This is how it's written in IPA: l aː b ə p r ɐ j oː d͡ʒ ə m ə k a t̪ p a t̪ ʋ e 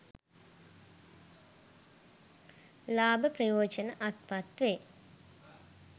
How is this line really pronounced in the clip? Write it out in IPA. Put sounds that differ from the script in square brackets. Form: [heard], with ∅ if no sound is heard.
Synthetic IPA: l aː b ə p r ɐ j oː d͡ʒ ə [n] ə [ʔ] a t̪ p a t̪ ʋ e